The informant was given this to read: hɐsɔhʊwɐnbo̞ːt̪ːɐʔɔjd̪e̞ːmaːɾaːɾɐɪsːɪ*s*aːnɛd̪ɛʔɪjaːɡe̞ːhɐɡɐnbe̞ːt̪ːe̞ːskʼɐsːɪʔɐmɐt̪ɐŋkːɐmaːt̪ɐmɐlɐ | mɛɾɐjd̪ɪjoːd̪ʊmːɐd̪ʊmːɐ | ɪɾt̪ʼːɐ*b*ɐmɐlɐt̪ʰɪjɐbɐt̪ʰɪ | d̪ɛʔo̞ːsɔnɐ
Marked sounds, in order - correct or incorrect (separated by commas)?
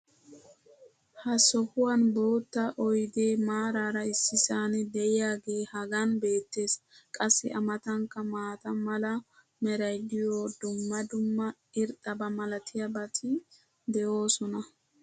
correct, correct